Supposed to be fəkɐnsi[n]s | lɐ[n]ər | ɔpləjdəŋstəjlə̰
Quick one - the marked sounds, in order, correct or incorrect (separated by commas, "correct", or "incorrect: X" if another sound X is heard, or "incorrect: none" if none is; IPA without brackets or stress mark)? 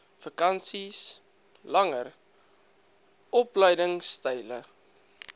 incorrect: none, incorrect: ŋ